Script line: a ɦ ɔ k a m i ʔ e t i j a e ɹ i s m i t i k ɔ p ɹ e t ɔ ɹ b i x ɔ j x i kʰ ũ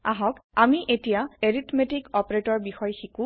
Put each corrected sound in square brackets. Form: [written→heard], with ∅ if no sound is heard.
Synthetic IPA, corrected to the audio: a ɦ ɔ k a m i ʔ e t i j a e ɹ i [s→t] m [i→e] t i k ɔ p ɹ e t ɔ ɹ b i x ɔ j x i [kʰ→k] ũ